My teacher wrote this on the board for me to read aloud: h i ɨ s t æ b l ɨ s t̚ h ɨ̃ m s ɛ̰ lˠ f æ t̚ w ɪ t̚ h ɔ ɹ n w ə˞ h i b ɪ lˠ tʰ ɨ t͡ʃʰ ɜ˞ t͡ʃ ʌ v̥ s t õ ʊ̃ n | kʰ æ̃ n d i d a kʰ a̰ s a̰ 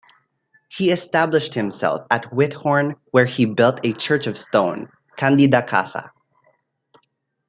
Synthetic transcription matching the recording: h i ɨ s t æ b l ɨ ʃ t̚ h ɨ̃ m s ɛ̰ lˠ f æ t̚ w ɪ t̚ h ɔ ɹ n w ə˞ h i b ɪ lˠ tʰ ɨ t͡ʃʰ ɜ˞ t͡ʃ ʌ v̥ s t õ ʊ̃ n | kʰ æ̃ n d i d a kʰ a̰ s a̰